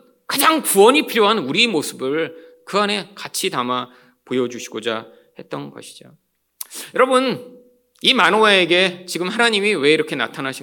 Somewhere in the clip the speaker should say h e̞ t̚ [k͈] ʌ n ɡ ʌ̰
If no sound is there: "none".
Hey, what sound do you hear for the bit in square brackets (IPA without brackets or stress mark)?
t͈